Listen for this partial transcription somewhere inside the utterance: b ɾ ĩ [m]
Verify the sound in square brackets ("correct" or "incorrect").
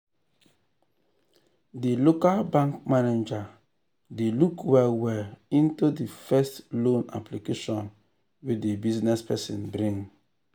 incorrect